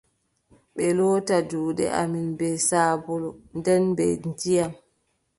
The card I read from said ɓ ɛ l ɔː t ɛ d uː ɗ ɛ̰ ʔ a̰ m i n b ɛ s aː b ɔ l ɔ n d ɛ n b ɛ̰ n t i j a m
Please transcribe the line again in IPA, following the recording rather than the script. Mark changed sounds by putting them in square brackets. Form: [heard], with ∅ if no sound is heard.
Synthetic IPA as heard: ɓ ɛ l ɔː t [a] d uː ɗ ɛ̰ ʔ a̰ m i n b ɛ s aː b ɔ l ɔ n d ɛ n b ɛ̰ n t i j a m